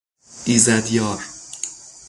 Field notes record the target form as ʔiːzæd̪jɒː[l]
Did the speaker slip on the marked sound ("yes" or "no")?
yes